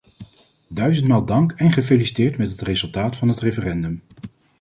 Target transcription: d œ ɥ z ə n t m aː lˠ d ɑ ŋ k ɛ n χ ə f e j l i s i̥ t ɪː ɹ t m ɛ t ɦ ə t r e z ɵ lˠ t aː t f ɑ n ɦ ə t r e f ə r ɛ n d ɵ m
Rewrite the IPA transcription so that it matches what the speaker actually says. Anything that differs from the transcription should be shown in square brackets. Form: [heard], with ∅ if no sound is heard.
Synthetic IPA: d œ ɥ z ə n t m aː lˠ d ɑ ŋ k ɛ n χ ə f e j l i s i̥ t ɪː ɹ t m ɛ t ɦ ə t r e z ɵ lˠ t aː t f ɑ n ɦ ə t r e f ə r ɛ n d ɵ m